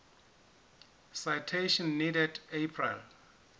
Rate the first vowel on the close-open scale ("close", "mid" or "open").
open